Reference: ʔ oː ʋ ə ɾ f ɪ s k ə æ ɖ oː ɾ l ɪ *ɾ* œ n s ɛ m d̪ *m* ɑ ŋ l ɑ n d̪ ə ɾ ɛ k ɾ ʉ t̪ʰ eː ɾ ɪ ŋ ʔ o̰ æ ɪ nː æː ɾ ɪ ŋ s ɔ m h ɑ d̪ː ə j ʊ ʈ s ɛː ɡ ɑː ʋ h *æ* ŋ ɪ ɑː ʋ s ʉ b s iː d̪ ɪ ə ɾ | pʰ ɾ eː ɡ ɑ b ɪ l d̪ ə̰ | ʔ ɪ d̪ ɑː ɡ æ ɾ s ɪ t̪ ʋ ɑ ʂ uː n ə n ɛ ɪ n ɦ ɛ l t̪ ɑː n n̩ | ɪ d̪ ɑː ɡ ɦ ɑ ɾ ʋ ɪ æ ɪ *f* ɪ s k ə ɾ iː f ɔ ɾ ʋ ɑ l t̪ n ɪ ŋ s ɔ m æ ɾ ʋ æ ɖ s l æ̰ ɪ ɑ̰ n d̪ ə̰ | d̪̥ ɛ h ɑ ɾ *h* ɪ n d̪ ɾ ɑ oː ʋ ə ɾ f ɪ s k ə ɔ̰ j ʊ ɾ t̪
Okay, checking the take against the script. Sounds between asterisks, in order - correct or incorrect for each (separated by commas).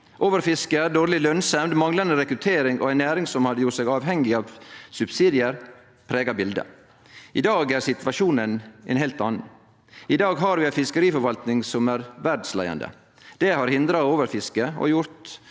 incorrect, correct, incorrect, correct, correct